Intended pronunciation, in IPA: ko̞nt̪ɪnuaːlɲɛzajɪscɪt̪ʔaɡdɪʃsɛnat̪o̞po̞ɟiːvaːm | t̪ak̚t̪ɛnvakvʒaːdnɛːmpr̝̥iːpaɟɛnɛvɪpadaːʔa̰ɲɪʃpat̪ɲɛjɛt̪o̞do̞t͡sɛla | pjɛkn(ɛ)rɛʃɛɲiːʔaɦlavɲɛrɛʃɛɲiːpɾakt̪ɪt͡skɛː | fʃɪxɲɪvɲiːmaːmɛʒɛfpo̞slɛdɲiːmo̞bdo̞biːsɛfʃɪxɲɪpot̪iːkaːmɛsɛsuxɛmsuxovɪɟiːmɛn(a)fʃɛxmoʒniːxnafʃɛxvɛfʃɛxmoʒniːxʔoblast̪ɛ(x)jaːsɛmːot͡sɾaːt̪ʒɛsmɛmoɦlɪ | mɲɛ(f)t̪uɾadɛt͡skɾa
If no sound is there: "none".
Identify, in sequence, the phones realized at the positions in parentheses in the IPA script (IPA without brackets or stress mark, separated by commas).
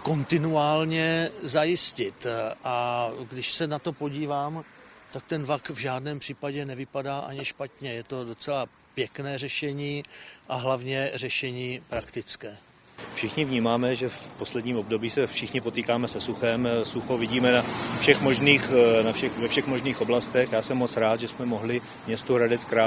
ɛː, a, x, s